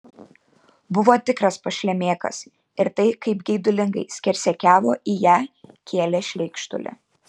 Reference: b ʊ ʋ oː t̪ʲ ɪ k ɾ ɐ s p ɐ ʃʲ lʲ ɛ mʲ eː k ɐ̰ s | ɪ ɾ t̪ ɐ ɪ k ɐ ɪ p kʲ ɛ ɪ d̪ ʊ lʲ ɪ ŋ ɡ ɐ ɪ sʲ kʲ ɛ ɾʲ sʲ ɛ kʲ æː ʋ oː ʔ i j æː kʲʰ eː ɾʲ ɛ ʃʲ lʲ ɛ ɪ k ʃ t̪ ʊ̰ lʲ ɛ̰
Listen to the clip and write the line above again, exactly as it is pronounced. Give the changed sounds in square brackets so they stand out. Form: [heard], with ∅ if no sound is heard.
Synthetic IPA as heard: b ʊ ʋ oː t̪ʲ ɪ k ɾ ɐ s p ɐ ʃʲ lʲ ɛ mʲ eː k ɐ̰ s | ɪ ɾ t̪ ɐ ɪ k ɐ ɪ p [ɡʲ] ɛ ɪ d̪ ʊ lʲ ɪ ŋ ɡ ɐ ɪ sʲ kʲ ɛ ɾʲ sʲ ɛ kʲ æː ʋ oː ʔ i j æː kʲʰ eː [lʲ] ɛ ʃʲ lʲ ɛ ɪ k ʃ t̪ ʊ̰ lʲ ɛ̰